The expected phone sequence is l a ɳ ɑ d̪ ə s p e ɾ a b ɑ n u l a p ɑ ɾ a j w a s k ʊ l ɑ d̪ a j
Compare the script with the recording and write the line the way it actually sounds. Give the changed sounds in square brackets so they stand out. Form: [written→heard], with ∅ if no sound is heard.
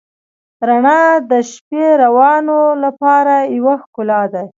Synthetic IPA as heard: [l→ɾ] a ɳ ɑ d̪ ə [s→ʃ] p e ɾ a [b→w] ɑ n [u→o] l a p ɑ ɾ a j w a [s→x] k ʊ l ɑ d̪ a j